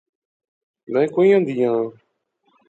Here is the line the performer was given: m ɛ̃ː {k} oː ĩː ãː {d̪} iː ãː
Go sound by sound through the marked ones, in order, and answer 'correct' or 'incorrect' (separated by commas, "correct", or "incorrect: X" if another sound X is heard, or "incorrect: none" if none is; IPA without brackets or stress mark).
correct, correct